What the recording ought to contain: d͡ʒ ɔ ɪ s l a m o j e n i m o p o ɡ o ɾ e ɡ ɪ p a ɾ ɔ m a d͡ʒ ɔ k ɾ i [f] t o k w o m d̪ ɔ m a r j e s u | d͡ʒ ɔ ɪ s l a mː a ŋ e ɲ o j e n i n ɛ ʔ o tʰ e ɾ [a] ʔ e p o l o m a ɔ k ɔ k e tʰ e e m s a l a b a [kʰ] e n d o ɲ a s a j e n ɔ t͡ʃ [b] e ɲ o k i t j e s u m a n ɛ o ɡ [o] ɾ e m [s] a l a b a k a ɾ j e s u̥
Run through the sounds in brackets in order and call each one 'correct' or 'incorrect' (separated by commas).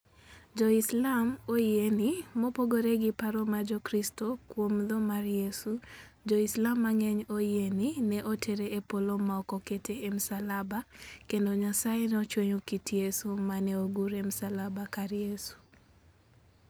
incorrect, incorrect, incorrect, incorrect, incorrect, correct